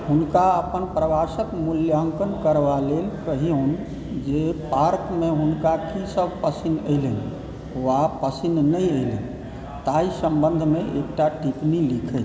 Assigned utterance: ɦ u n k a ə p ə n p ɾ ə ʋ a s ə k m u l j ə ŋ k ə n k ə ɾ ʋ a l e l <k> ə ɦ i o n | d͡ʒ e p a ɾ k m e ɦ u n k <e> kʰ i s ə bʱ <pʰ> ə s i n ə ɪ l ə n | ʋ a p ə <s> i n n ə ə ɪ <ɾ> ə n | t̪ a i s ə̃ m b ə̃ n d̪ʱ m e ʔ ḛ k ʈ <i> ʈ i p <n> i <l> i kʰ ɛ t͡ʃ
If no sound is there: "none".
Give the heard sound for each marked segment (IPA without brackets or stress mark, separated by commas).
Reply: k, a, p, s, l, a, n, l